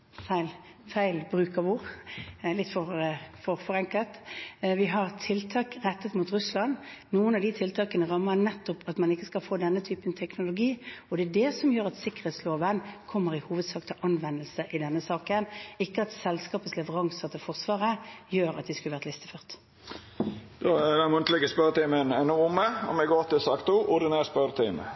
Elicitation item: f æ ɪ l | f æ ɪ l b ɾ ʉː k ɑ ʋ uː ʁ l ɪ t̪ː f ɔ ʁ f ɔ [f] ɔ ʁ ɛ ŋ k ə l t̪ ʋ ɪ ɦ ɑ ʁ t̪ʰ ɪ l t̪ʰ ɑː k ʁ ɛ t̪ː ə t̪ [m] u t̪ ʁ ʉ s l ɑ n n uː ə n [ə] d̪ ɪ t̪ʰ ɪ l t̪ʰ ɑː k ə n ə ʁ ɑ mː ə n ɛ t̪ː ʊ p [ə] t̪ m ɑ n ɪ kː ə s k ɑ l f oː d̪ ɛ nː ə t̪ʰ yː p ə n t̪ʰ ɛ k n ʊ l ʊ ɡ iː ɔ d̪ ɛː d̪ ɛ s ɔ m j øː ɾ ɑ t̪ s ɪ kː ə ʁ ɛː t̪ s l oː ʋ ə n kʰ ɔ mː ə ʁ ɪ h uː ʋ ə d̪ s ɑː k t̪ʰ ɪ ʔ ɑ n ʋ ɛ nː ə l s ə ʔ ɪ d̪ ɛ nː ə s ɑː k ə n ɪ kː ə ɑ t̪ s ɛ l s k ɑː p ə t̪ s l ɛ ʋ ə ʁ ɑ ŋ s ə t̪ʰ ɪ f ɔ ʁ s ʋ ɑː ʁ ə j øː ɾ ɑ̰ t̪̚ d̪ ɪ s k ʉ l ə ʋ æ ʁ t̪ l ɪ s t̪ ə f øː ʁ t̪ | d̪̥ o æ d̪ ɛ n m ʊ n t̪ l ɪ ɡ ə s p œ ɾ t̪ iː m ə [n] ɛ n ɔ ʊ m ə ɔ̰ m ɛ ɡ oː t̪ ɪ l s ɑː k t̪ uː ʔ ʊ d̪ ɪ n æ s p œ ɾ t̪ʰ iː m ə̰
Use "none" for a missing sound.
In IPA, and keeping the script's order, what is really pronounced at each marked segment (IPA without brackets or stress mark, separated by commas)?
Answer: f, m, ɑ, ɑ, n